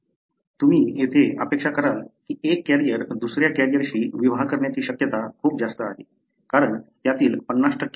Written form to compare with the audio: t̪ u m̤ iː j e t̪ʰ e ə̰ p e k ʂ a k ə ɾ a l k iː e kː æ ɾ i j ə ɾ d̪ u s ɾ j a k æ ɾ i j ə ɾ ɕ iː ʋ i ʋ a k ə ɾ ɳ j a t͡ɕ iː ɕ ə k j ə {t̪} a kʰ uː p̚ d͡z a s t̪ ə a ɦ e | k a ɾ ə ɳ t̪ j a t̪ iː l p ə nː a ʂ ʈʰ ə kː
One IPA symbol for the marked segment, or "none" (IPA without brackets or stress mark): t̪